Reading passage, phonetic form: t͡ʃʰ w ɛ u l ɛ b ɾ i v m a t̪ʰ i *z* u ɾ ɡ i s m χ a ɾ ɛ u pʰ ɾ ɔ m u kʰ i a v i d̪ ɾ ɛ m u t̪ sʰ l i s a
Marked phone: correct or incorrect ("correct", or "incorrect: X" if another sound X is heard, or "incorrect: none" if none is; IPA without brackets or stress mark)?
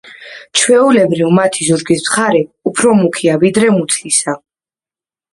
correct